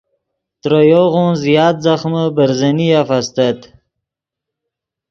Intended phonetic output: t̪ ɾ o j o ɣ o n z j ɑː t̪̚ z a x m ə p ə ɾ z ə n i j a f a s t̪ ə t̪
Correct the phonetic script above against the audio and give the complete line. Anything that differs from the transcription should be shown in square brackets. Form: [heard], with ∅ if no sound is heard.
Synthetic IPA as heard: t̪ ɾ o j o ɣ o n z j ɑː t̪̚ z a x m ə [b] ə ɾ z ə n i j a f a s t̪ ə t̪

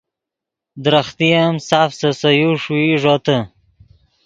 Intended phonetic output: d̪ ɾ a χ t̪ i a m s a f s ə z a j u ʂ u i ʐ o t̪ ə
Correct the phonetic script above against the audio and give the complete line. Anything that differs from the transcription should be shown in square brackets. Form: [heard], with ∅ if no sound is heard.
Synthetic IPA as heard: d̪ ɾ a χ t̪ i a m s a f s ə [s] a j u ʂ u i ʐ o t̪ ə

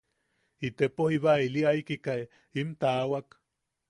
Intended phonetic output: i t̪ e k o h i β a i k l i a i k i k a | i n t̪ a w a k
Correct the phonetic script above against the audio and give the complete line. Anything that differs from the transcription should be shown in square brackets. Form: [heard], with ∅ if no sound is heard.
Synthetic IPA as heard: i t̪ e [p] o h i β a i [∅] l i a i k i k a | i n t̪ a w a k

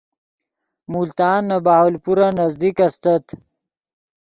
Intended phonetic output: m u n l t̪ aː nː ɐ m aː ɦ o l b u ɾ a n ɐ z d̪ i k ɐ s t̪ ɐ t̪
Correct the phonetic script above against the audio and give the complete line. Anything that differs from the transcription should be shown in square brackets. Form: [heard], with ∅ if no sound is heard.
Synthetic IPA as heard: m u [∅] l t̪ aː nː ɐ [b] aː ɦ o l [p] u ɾ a n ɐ z d̪ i k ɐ s t̪ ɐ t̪

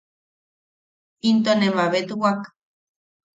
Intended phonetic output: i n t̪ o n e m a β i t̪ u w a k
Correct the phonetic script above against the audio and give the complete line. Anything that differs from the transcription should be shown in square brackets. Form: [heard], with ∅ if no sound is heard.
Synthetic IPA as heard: i n t̪ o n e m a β [e] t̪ u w a k

